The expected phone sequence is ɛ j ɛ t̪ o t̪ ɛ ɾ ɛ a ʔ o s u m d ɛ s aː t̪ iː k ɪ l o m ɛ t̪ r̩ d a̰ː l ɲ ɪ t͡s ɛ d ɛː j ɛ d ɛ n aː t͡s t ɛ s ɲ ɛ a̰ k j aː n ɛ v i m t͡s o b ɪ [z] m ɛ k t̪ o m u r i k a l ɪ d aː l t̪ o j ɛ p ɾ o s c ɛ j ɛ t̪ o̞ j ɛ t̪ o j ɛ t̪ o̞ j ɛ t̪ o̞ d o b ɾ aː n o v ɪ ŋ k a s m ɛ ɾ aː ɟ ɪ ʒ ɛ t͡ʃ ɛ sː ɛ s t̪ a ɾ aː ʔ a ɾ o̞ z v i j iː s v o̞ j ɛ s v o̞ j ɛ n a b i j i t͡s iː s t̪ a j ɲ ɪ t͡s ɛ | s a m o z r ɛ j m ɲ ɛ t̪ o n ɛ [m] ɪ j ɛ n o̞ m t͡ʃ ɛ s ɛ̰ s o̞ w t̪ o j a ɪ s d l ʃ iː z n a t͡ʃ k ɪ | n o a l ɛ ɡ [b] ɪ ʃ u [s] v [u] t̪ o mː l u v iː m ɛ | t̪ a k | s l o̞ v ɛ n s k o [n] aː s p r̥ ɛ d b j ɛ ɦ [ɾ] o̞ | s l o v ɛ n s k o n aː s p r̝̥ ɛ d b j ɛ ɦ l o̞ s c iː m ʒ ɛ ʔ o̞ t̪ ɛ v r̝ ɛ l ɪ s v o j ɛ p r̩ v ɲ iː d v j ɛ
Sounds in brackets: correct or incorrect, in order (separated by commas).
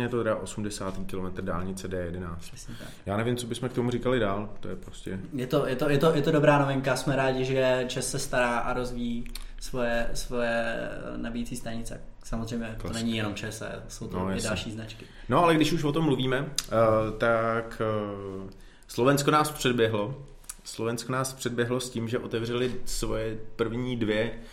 incorrect, incorrect, incorrect, incorrect, incorrect, correct, incorrect